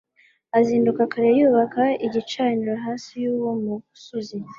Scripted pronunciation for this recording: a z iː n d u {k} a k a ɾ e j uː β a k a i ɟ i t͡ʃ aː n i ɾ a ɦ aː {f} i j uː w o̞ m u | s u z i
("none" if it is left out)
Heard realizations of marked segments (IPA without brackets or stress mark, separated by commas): k, s